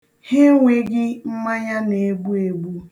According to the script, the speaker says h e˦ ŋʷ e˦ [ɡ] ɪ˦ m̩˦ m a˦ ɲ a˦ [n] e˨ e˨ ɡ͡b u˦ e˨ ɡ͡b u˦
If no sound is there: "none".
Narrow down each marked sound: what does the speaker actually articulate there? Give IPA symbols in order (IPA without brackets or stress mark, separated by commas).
ɡ, n